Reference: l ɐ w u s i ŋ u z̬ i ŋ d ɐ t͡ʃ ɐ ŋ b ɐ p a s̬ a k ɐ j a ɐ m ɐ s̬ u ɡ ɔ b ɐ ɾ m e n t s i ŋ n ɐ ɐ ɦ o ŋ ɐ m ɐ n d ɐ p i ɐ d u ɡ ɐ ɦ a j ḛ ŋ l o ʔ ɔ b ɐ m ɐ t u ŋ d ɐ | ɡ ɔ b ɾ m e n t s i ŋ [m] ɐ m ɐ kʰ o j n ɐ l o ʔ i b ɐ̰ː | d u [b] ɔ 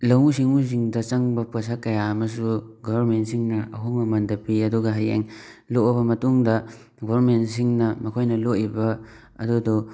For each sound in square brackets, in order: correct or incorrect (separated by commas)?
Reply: incorrect, incorrect